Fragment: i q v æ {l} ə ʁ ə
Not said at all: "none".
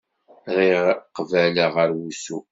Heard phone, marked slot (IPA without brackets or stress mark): l